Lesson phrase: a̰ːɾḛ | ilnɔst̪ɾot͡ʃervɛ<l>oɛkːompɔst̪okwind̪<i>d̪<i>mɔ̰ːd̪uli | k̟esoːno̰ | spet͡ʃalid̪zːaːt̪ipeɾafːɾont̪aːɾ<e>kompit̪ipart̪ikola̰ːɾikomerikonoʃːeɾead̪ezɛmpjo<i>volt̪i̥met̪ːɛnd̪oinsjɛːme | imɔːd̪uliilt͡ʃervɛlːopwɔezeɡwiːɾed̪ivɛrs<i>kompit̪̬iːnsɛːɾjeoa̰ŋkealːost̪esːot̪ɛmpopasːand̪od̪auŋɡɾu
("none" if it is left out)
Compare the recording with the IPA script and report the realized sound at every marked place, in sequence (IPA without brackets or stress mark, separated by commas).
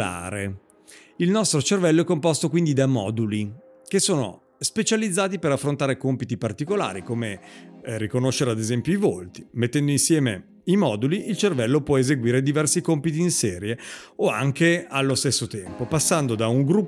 lː, i, a, e, i, i